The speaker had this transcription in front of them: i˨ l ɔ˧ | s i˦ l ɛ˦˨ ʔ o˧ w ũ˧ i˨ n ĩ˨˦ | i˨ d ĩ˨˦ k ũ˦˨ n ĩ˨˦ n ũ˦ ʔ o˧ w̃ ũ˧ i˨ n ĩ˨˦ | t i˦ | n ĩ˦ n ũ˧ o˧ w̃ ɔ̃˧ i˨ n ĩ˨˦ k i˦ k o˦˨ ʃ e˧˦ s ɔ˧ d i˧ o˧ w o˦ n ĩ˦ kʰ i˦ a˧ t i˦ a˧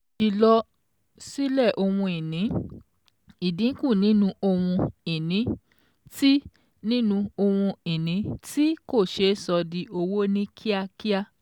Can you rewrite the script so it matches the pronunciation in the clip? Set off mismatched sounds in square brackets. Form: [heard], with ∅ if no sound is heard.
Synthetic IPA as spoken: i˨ l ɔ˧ | s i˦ l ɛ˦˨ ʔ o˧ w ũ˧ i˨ n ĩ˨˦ | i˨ d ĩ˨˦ k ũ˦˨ n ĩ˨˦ n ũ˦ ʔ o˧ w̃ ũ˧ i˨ n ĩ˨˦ | t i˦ | n ĩ˦ n ũ˧ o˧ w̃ [ũ˧] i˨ n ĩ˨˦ [t] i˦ k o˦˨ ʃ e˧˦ s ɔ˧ d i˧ o˧ w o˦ n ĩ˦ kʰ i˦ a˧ [k] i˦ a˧